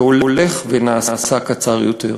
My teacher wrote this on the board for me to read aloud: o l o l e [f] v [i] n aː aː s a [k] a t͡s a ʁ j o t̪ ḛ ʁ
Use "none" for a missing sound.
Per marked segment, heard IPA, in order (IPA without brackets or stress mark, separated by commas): χ, e, k